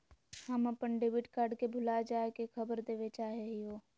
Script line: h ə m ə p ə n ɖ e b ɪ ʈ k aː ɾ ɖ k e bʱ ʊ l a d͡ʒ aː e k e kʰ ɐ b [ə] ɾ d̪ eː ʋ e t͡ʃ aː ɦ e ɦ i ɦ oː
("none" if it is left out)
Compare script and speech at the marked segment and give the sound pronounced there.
ə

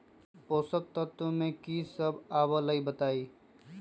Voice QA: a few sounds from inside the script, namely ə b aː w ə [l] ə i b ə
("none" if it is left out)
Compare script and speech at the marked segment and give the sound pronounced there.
l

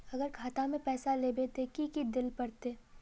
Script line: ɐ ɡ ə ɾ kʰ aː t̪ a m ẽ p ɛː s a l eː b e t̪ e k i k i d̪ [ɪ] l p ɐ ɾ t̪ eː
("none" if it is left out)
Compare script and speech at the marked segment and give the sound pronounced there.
ɪ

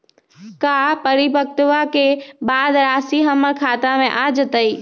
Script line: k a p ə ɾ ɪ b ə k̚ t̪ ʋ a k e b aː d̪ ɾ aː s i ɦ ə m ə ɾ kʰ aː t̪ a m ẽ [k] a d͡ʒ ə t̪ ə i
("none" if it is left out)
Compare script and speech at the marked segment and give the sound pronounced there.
ʔ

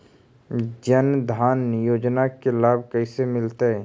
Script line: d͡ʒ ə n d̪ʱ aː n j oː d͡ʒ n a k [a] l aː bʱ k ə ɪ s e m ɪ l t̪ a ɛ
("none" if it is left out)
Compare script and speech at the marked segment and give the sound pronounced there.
e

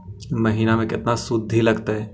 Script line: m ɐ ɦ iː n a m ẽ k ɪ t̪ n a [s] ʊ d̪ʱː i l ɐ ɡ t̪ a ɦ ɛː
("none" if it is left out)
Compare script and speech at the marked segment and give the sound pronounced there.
s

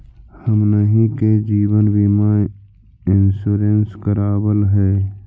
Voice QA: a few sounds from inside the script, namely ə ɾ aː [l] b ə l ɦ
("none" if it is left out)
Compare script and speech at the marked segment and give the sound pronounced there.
none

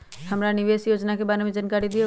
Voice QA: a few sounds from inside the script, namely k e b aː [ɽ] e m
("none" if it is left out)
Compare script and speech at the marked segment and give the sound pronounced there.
ɾ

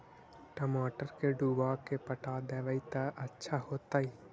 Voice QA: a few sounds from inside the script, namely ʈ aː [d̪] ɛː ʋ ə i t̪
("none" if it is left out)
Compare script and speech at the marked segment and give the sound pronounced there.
d̪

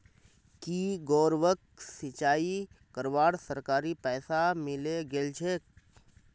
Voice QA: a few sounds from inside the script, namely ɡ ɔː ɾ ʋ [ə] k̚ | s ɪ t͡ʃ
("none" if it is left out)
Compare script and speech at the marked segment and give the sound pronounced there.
ə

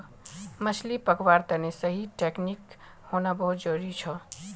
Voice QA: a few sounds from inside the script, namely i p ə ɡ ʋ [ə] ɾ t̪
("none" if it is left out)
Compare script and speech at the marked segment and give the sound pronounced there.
a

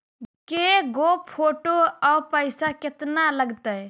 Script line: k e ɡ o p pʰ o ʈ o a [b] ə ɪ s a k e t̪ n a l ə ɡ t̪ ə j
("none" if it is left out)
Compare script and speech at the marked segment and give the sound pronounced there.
p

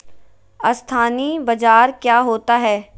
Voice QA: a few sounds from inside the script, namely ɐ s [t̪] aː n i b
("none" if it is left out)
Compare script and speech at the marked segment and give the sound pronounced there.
t̪ʰ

